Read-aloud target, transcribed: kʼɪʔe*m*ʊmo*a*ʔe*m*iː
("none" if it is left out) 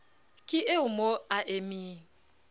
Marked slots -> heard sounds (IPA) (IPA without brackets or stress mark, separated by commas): none, a, m